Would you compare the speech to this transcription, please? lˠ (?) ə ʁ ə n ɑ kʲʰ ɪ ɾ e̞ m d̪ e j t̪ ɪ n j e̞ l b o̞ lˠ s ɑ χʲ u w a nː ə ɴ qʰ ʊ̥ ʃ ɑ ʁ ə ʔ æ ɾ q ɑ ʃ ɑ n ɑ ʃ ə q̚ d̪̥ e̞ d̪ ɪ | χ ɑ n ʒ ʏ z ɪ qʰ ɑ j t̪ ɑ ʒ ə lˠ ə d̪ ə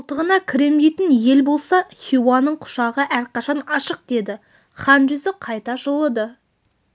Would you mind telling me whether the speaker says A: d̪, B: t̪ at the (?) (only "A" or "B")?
B